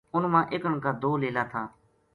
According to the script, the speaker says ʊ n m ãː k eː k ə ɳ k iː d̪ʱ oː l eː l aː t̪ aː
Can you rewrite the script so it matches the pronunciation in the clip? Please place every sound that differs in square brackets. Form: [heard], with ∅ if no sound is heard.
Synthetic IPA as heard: ʊ n m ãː [ʔ] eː k ə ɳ k [aː] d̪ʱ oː l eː l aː [t̪ʰ] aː